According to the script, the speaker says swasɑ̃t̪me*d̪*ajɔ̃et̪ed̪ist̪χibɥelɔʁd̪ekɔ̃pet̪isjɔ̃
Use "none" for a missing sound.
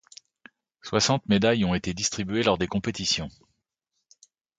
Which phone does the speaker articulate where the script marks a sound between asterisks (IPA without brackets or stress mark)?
d̪